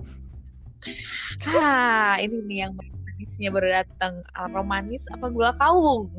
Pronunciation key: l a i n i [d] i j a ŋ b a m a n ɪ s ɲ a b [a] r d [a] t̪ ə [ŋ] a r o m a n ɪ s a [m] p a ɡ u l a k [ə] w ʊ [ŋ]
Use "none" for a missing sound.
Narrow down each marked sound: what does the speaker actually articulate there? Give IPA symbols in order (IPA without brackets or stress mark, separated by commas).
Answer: n, ə, a, ŋ, none, a, ŋ